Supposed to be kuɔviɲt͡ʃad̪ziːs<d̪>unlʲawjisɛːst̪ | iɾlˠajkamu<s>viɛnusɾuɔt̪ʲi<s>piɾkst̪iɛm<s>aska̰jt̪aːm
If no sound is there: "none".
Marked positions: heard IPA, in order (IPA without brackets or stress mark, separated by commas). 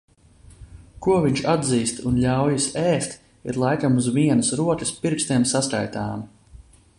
t̪, z, s, s